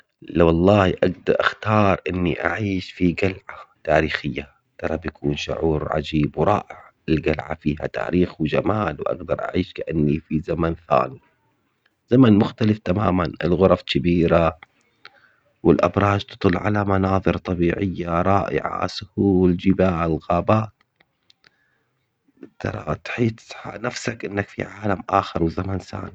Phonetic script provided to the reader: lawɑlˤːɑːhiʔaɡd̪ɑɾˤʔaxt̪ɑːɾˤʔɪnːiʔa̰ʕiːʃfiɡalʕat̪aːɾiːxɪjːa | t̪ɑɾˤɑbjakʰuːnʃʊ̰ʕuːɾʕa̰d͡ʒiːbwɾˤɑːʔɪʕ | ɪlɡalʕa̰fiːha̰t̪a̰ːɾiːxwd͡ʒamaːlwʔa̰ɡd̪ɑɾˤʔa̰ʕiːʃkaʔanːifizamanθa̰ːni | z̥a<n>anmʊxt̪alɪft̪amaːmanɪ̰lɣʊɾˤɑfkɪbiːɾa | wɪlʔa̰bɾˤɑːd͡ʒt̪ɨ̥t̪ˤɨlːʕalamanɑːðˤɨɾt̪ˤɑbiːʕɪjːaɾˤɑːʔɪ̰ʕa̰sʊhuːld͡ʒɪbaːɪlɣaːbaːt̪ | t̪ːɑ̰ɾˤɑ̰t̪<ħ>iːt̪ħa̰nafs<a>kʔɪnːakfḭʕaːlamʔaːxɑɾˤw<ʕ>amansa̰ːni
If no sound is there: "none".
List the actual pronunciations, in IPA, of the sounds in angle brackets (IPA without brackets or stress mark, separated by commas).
m, ħ, a, z